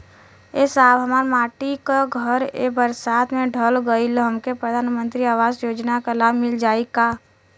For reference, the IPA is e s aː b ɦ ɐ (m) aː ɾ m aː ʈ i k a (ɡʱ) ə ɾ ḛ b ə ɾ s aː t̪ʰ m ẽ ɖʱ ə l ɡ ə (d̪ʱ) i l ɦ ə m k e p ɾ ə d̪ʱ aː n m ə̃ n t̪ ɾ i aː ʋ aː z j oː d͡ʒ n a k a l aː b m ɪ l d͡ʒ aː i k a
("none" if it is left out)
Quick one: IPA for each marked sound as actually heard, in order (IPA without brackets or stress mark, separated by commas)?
m, ɡʱ, none